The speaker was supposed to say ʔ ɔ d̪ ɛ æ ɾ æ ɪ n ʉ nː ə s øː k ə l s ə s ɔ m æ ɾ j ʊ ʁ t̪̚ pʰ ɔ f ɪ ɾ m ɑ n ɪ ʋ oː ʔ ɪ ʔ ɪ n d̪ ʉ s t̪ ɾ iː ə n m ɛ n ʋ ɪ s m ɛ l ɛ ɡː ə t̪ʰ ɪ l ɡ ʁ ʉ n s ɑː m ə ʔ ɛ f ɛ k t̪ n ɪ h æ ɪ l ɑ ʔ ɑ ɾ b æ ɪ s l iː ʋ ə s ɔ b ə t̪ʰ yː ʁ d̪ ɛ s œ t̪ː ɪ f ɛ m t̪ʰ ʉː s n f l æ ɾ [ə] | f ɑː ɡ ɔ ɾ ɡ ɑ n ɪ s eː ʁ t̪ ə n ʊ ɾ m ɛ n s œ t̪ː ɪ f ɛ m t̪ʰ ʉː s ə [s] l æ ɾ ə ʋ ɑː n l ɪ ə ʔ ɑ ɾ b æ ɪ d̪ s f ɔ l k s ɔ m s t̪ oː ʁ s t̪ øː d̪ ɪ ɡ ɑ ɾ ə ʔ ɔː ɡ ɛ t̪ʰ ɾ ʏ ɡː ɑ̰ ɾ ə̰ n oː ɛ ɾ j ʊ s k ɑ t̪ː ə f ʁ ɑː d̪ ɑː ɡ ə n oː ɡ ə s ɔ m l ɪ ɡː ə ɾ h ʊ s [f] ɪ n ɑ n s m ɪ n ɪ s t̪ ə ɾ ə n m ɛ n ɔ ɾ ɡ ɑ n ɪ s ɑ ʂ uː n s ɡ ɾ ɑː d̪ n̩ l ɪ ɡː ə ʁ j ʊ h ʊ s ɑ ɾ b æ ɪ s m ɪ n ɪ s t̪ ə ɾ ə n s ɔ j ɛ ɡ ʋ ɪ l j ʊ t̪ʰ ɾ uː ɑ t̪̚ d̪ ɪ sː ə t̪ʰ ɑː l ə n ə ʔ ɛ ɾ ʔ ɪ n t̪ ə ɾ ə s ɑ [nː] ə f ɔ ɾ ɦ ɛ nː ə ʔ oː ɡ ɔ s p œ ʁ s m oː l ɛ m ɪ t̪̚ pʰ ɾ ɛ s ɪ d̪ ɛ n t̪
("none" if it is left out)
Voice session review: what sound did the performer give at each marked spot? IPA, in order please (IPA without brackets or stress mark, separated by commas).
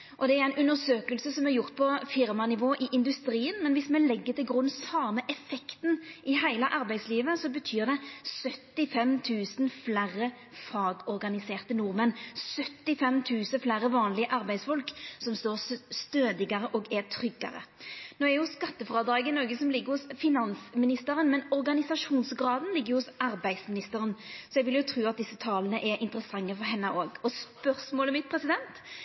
ə, f, f, ŋː